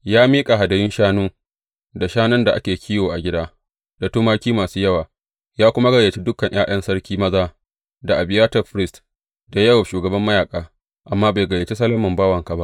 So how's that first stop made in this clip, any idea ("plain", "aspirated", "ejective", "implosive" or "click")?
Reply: ejective